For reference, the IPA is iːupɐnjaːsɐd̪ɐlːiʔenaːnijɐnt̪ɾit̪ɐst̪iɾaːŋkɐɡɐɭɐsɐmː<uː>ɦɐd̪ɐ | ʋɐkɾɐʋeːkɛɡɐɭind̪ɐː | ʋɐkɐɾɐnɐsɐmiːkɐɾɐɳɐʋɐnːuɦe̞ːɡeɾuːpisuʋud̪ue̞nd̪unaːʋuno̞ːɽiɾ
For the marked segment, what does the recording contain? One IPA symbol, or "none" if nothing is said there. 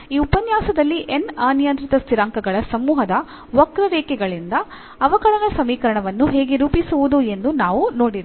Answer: uː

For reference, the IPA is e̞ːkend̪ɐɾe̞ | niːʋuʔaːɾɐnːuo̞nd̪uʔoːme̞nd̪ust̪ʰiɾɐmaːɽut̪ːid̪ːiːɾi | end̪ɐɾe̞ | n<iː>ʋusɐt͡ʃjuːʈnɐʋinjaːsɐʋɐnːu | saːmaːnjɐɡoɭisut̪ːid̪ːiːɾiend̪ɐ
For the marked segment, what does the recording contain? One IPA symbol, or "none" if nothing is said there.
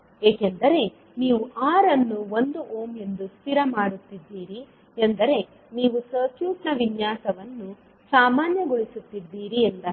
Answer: iː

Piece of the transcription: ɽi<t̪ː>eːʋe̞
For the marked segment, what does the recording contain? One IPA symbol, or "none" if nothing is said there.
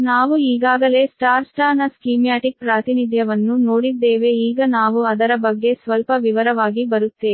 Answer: d̪ː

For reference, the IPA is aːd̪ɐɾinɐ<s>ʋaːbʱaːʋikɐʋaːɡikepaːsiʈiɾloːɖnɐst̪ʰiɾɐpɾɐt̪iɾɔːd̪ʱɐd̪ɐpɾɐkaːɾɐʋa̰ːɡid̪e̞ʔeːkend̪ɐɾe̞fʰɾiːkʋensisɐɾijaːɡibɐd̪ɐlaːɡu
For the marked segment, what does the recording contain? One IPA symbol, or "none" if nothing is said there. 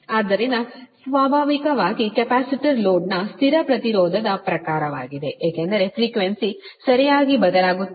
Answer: s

